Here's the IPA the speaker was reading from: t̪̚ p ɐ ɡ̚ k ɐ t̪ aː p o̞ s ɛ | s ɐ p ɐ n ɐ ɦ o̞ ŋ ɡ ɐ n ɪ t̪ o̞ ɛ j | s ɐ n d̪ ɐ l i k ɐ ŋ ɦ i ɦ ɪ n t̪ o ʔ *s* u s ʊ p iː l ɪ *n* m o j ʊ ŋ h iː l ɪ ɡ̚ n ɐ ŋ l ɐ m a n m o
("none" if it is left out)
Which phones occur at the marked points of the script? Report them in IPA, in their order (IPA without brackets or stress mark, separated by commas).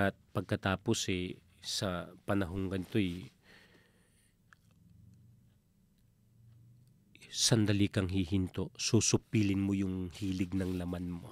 s, n